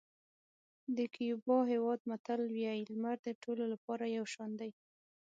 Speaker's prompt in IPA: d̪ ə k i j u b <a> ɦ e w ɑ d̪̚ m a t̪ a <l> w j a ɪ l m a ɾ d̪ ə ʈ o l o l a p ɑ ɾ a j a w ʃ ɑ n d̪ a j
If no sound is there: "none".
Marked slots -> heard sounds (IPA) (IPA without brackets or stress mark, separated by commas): ɑ, l